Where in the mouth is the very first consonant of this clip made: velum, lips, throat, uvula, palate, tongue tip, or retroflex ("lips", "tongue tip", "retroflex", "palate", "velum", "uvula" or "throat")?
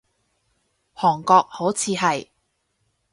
throat